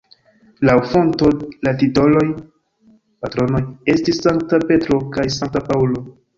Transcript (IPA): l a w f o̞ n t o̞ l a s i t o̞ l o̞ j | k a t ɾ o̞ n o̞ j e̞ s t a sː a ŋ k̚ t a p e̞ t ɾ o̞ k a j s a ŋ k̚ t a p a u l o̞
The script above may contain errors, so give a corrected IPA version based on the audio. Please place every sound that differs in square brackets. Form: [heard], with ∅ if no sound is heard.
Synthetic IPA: l a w f o̞ n t o̞ l a [t] i t o̞ l o̞ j | [p] a t ɾ o̞ n o̞ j e̞ s t [i] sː a ŋ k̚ t a p e̞ t ɾ o̞ k a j s a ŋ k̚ t a p a u l o̞